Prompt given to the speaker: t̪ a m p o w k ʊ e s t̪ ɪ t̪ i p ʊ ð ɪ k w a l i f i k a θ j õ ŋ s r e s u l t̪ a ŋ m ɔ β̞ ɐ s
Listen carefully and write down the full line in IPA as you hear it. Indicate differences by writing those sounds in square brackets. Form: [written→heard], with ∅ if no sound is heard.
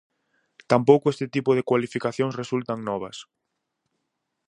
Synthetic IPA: t̪ a m p o w k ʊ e s t̪ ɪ t̪ i p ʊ ð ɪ k w a l i f i k a θ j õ ŋ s r e s u l t̪ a ŋ [m→n] ɔ β̞ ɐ s